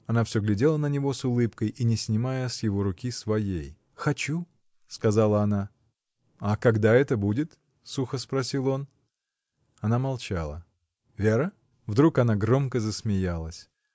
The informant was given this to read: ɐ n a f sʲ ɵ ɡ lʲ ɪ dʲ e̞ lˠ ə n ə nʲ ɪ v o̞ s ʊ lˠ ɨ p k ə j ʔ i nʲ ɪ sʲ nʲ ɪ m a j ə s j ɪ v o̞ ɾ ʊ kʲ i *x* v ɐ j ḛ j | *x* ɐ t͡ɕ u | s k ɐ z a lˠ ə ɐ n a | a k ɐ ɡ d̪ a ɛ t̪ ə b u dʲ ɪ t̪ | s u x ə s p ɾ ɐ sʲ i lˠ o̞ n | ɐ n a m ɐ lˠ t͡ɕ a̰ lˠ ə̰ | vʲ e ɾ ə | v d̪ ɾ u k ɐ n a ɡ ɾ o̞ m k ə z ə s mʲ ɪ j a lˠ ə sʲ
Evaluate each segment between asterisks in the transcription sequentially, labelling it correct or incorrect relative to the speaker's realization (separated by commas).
incorrect, correct